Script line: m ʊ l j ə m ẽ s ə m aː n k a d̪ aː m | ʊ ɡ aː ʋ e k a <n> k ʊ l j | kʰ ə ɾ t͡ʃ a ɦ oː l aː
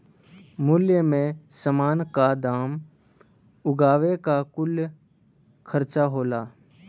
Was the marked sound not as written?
yes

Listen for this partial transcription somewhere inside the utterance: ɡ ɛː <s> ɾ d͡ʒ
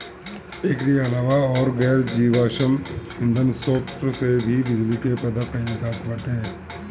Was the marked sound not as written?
yes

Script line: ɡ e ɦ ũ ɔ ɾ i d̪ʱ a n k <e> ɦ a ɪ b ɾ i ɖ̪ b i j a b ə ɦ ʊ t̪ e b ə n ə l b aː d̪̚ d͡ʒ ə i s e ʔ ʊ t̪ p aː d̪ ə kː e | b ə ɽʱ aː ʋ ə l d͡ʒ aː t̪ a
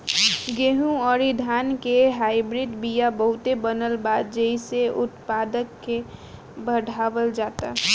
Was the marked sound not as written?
no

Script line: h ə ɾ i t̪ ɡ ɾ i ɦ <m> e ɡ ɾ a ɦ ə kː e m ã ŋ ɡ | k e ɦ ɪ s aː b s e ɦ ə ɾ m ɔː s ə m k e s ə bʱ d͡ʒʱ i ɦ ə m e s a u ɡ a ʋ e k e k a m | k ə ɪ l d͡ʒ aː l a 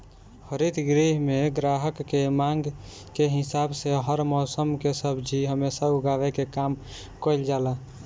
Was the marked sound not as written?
no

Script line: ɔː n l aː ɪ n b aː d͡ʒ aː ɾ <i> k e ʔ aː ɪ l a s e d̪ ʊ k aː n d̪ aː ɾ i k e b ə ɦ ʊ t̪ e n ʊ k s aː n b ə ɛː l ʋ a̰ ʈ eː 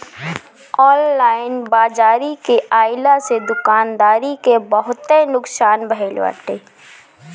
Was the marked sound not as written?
no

